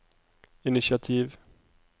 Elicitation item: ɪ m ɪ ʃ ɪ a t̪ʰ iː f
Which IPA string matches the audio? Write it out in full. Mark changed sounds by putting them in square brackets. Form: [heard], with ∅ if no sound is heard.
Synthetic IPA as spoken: ɪ [n] ɪ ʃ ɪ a t̪ʰ iː [v]